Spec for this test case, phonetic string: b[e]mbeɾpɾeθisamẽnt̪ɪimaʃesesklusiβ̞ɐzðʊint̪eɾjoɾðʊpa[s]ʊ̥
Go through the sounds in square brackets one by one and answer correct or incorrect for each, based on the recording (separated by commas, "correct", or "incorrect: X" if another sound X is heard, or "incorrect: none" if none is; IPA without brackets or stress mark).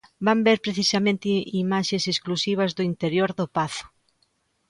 incorrect: a, incorrect: θ